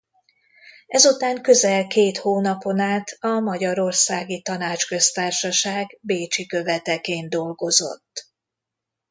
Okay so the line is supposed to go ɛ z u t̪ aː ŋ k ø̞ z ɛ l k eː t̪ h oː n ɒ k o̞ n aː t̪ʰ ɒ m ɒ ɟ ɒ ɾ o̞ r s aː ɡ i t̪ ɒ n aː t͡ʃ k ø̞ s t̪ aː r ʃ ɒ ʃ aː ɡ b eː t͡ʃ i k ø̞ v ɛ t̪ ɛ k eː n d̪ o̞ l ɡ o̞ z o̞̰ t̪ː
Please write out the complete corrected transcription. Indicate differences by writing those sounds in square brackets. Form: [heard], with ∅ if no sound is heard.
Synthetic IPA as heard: ɛ z u t̪ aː ŋ k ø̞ z ɛ l k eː t̪ h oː n ɒ [p] o̞ n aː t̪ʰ ɒ m ɒ ɟ ɒ ɾ o̞ r s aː ɡ i t̪ ɒ n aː t͡ʃ k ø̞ s t̪ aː r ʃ ɒ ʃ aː ɡ b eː t͡ʃ i k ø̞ v ɛ t̪ ɛ k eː n d̪ o̞ l ɡ o̞ z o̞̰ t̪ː